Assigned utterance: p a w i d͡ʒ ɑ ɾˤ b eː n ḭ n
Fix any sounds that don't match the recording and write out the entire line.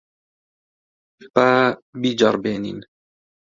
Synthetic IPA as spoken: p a b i d͡ʒ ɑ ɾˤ b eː n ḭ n